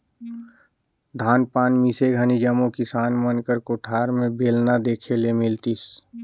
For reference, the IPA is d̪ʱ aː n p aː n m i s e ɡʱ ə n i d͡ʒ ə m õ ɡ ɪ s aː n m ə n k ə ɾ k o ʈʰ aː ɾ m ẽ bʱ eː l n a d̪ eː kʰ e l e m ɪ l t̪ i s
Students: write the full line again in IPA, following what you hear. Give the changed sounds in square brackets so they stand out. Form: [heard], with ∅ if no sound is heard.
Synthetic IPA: d̪ʱ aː n p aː n m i s e ɡʱ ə n i d͡ʒ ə m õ [k] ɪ s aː n m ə n k ə ɾ k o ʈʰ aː ɾ m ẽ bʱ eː l n a d̪ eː kʰ e l e m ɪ l t̪ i s